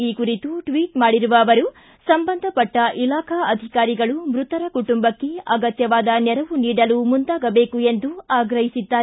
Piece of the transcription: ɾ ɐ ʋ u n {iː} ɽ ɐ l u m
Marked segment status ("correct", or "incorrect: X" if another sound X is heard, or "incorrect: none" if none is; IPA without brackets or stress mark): correct